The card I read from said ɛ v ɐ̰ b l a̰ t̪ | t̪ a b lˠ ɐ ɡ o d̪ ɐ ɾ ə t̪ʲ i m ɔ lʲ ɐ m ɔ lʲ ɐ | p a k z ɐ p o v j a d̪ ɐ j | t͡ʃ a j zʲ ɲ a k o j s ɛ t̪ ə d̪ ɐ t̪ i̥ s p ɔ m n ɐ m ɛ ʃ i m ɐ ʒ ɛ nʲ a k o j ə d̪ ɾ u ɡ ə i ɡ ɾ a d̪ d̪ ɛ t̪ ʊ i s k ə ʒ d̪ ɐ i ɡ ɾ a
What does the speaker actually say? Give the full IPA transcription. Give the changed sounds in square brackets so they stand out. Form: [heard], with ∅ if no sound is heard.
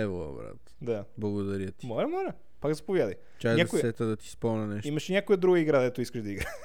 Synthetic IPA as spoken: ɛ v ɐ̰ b [ɾ] a̰ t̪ | [d̪] a b lˠ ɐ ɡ o d̪ ɐ ɾ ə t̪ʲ i m ɔ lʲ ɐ m ɔ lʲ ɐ | p a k z ɐ p o v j a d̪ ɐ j | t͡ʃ a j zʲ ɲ a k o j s ɛ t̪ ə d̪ ɐ t̪ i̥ s p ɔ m n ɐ [n] ɛ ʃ i m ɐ [ʃ] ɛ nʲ a k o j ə d̪ ɾ u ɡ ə i ɡ ɾ a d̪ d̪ ɛ t̪ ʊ i s k ə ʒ d̪ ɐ i ɡ ɾ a